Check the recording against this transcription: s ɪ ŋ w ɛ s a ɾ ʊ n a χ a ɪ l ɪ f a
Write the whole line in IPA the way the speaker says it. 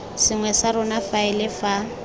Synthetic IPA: s ɪ ŋ w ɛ s a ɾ ʊ n a f a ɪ l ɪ f a

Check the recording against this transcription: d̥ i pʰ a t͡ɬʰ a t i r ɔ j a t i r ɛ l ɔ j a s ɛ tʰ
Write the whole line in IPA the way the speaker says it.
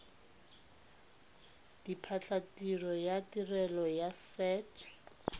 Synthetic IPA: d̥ i pʰ a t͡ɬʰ a t i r ɔ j a t i r ɛ l ɔ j a s ɛ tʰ

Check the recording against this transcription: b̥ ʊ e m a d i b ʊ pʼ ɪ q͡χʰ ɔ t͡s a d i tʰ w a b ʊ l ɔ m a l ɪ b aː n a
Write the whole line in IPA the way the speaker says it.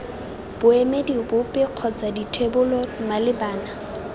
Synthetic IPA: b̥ ʊ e m e d i b ʊ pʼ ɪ q͡χʰ ɔ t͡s a d i tʰ w e b ʊ l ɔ m a l ɪ b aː n a

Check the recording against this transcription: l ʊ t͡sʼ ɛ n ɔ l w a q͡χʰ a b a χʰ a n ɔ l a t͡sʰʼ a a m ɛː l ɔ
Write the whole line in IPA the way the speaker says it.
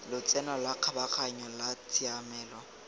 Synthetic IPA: l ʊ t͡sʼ ɛ n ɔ l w a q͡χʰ a b a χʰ a ɲ ɔ l a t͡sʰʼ i a m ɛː l ɔ

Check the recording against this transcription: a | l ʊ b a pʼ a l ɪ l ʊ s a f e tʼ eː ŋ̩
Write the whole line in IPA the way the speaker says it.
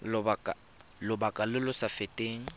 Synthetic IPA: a | l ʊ b a kʼ a l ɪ l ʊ s a f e tʼ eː ŋ̩

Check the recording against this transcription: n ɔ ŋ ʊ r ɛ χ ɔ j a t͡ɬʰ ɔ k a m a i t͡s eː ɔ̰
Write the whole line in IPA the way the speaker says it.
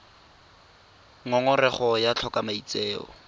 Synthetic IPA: ŋ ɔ ŋ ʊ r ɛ χ ɔ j a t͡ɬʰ ɔ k a m a i t͡s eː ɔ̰

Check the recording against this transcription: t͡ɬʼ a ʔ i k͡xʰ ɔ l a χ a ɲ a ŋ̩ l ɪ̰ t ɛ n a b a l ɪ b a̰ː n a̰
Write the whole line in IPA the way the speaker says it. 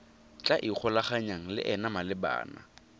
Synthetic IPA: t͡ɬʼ a ʔ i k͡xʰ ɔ l a χ a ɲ a ŋ̩ l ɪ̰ ʔ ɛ n a m a l ɪ b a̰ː n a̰

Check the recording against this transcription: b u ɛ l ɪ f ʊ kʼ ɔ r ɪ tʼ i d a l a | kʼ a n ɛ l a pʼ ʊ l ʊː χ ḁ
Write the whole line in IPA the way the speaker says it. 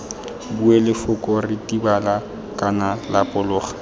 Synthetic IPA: b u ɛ l ɪ f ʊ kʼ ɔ r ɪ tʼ i b a l a | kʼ a n a l a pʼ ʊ l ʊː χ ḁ

